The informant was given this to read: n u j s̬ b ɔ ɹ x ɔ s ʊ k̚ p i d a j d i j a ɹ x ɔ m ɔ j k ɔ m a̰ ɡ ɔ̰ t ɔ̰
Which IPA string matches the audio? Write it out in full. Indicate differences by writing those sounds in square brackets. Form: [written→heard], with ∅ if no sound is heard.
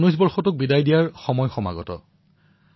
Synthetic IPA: n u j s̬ b ɔ ɹ x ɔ [s→t] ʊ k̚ [p→b] i d a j d i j a ɹ x ɔ m ɔ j [k→x] ɔ m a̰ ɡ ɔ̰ t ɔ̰